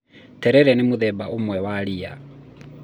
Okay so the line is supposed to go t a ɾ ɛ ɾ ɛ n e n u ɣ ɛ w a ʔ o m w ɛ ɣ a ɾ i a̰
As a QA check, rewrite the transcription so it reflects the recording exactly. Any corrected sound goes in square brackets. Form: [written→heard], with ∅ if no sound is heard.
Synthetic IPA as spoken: t [a→ɛ] ɾ ɛ ɾ ɛ n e [n→m] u [ɣ→ð] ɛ [w→b] a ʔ o m w ɛ [ɣ→w] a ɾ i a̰